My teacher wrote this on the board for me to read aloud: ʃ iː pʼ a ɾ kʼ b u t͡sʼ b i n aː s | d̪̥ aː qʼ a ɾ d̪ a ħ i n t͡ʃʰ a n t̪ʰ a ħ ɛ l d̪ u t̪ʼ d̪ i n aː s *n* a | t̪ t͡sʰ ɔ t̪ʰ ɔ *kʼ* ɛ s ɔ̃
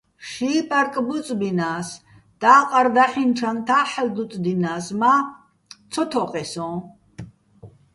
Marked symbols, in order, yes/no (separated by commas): no, no